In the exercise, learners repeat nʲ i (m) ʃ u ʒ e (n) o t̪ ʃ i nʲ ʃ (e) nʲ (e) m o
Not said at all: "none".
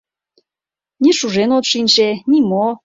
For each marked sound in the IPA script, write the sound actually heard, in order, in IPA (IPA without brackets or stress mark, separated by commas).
none, n, e, i